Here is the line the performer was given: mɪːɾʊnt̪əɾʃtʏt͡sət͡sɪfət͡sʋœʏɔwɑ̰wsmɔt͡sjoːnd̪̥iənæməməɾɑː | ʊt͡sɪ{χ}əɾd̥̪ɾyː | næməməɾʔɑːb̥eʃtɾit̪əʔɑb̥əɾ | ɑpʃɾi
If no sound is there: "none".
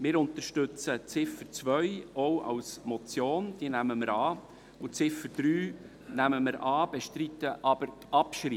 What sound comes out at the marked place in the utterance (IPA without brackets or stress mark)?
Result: f